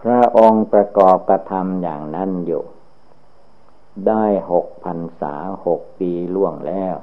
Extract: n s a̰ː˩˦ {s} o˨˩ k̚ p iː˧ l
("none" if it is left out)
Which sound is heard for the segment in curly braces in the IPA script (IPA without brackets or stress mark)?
h